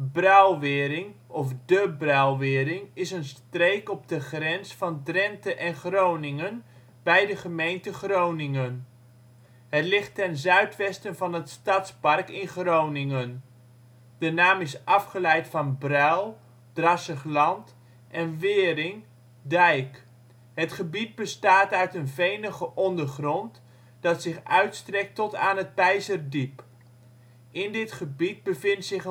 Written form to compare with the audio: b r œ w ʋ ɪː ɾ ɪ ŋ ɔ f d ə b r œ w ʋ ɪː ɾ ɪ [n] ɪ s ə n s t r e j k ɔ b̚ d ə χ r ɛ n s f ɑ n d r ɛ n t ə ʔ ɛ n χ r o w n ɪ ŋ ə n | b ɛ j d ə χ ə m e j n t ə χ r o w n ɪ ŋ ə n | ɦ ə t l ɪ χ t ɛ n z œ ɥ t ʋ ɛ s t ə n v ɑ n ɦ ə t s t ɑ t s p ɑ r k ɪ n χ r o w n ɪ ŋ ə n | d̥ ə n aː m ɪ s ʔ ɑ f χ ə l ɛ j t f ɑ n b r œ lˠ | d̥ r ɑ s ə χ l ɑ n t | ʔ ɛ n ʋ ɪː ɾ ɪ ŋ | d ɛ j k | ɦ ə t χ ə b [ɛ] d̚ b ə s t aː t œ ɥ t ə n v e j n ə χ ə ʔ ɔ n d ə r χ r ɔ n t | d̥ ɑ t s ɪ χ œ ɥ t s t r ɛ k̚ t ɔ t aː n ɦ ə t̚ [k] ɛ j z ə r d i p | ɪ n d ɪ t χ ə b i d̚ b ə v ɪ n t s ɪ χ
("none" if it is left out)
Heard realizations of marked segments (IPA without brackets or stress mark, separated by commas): ŋ, i, p